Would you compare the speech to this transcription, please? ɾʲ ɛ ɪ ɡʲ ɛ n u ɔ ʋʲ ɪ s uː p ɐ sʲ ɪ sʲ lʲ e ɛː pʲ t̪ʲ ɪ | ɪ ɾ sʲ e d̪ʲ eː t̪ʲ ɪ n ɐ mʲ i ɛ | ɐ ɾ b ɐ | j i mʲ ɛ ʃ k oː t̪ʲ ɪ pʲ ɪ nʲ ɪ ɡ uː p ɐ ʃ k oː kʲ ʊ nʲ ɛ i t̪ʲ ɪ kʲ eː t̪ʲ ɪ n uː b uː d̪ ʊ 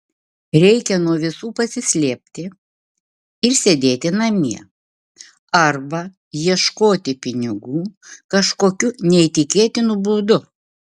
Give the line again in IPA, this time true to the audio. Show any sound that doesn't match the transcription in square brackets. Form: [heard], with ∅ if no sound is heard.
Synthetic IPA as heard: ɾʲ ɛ ɪ [kʲ] ɛ n u ɔ ʋʲ ɪ s uː p ɐ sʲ ɪ sʲ lʲ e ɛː pʲ t̪ʲ ɪ | ɪ ɾ sʲ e d̪ʲ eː t̪ʲ ɪ n ɐ mʲ i ɛ | ɐ ɾ b ɐ | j i [∅] ɛ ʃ k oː t̪ʲ ɪ pʲ ɪ nʲ ɪ ɡ uː [k] ɐ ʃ k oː kʲ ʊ nʲ ɛ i t̪ʲ ɪ kʲ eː t̪ʲ ɪ n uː b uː d̪ ʊ